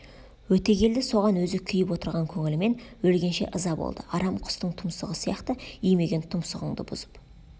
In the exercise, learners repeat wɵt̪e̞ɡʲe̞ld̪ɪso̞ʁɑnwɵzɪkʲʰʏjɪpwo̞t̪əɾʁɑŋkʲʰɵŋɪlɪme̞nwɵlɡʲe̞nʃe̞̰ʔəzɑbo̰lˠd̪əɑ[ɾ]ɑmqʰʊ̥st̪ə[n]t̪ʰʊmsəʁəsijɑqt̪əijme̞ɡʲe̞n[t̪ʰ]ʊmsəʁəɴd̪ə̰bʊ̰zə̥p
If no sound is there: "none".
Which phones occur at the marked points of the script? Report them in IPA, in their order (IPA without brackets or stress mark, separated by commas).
ɾ, ɴ, t̪ʰ